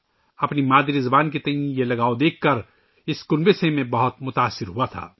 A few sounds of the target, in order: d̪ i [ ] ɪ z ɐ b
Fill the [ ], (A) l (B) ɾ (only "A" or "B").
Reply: B